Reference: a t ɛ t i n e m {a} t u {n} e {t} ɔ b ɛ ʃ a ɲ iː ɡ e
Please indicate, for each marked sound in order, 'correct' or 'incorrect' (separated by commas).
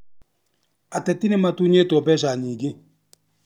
correct, incorrect, correct